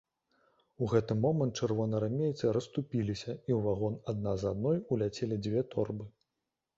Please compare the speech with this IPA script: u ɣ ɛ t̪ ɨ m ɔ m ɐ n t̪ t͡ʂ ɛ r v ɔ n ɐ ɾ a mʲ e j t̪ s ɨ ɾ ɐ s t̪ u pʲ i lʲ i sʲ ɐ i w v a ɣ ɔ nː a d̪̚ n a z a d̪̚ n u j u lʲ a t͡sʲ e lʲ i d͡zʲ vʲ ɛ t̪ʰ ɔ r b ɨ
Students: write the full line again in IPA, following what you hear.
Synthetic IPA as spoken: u ɣ ɛ t̪ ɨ m ɔ m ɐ n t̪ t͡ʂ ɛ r v ɔ n ɐ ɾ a mʲ e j t̪ s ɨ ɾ ɐ s t̪ u pʲ i lʲ i sʲ ɐ i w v a ɣ ɔ n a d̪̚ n a z a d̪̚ n ɔ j u lʲ a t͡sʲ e lʲ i d͡zʲ vʲ ɛ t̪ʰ ɔ r b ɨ